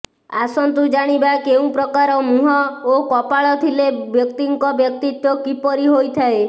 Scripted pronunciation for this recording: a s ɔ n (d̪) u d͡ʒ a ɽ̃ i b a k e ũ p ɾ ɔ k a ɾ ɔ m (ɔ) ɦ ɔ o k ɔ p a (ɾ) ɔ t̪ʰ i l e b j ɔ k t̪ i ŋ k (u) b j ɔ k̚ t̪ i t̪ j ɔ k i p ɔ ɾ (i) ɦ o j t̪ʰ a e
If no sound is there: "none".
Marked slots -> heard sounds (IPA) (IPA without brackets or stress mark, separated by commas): t̪, u, ɭ, ɔ, i